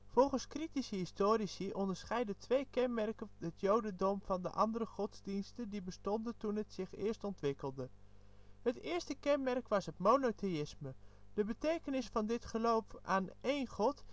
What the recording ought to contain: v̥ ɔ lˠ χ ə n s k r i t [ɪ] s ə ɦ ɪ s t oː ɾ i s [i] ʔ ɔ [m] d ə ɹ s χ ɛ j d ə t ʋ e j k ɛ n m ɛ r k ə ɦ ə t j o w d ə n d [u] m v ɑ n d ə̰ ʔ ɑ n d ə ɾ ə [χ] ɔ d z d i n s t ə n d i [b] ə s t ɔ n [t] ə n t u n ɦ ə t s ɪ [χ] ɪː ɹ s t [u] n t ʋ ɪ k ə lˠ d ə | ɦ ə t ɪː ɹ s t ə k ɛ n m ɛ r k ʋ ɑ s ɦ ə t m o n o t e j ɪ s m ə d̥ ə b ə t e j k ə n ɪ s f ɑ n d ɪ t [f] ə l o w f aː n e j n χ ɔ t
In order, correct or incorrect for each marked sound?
incorrect, correct, incorrect, incorrect, correct, correct, incorrect, correct, incorrect, incorrect

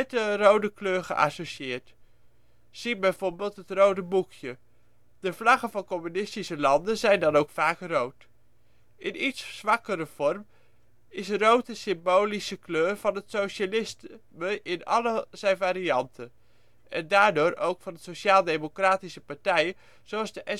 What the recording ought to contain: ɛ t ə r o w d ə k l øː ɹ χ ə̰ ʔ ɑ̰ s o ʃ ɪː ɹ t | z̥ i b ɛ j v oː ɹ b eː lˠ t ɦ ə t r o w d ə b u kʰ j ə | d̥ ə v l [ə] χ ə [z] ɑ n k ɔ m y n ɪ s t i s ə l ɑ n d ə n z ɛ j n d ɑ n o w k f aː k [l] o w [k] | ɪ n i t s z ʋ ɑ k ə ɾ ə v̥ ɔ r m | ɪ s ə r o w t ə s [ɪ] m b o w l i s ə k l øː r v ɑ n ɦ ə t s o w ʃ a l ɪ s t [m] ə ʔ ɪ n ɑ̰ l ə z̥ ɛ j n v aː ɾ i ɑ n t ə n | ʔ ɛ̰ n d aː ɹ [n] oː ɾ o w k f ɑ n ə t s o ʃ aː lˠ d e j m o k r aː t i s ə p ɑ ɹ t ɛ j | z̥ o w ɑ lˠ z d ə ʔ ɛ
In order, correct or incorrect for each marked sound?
incorrect, incorrect, incorrect, incorrect, correct, correct, incorrect

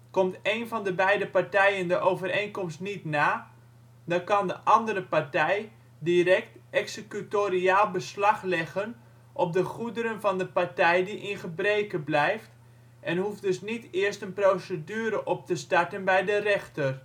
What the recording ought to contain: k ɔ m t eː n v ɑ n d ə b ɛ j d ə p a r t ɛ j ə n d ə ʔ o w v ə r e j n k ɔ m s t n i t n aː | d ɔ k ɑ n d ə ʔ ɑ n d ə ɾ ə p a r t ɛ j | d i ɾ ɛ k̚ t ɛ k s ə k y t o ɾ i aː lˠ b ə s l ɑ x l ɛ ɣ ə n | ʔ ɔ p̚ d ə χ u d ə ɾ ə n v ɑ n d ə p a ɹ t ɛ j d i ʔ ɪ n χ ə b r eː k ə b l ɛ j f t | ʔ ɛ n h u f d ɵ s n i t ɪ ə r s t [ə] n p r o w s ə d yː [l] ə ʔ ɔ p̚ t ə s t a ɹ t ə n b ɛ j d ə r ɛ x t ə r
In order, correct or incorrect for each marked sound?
correct, incorrect

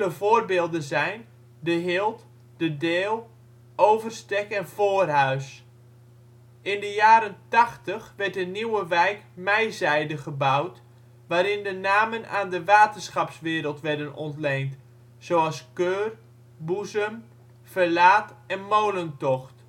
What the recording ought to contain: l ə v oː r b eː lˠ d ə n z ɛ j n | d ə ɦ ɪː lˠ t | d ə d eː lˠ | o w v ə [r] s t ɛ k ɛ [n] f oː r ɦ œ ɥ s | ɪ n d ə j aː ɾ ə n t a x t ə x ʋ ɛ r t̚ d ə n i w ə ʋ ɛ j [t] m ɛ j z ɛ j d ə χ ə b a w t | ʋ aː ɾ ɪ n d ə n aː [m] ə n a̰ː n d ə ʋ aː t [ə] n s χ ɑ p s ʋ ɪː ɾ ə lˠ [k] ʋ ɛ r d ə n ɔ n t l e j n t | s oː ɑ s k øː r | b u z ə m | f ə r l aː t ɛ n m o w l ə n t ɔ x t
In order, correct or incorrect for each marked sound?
correct, correct, incorrect, correct, correct, incorrect

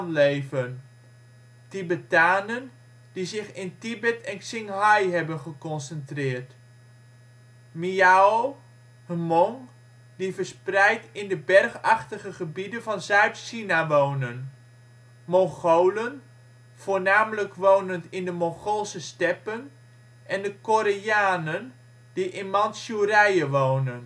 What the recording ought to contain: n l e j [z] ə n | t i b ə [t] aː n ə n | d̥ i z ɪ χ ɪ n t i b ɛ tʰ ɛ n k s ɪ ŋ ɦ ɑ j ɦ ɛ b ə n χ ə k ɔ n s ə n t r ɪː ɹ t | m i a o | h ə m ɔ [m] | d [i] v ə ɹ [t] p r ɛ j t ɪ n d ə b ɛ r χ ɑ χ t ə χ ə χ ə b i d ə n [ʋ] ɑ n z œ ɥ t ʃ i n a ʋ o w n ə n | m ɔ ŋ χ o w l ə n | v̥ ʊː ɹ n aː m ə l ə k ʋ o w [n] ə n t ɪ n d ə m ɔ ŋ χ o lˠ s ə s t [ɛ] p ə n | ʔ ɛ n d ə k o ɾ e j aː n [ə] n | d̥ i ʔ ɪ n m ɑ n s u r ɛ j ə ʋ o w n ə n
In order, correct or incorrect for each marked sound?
incorrect, correct, incorrect, correct, incorrect, incorrect, correct, correct, correct

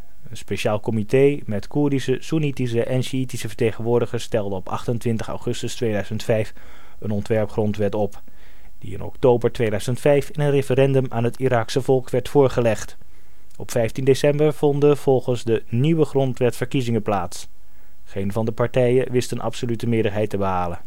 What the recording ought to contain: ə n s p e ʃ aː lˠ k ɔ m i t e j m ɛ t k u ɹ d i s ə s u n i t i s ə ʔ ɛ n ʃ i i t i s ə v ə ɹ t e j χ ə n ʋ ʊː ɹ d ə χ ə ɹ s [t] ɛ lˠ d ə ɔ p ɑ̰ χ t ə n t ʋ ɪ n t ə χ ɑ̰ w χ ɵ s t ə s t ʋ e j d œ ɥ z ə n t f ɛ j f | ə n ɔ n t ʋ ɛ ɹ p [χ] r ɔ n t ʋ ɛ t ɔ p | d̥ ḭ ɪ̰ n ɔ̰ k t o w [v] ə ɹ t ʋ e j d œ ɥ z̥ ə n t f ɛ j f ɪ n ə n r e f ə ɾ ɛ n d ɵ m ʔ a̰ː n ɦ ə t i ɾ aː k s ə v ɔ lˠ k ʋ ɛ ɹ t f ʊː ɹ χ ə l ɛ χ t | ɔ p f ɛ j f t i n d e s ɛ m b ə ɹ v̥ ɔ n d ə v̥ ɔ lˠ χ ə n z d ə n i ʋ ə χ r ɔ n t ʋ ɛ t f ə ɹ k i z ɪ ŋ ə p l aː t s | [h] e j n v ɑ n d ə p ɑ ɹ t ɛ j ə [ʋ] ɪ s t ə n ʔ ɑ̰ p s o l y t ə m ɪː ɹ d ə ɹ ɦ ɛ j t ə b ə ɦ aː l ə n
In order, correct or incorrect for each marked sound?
correct, correct, incorrect, incorrect, correct

